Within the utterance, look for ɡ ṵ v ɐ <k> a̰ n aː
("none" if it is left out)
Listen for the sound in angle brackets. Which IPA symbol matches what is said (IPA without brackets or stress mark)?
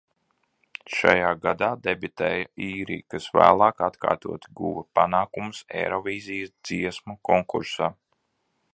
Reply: p